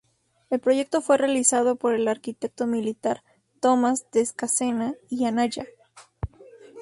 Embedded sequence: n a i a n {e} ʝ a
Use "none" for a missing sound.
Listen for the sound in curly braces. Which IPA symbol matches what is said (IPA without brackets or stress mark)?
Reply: a